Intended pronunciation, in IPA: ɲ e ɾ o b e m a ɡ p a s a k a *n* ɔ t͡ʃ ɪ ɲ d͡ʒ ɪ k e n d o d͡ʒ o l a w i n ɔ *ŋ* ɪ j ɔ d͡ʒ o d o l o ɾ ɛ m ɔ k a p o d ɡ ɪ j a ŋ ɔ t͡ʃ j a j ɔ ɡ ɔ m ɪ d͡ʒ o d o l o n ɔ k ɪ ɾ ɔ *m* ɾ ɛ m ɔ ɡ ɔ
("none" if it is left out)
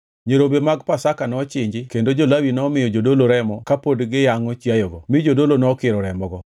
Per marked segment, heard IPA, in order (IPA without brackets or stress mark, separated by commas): n, m, none